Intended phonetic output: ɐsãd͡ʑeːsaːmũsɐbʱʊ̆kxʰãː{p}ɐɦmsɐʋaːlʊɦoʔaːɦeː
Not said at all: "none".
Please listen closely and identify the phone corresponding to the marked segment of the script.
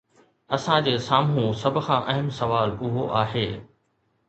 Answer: ʔ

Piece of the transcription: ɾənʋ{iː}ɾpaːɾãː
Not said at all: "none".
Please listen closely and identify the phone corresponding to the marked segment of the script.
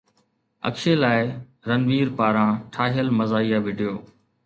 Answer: iː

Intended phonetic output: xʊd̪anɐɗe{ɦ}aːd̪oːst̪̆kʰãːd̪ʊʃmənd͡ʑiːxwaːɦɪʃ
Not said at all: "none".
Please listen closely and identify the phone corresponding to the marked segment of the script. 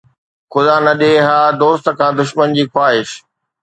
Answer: ɦ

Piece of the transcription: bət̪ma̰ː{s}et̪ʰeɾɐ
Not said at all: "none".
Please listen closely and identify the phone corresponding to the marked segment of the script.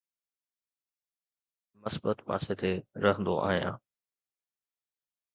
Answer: s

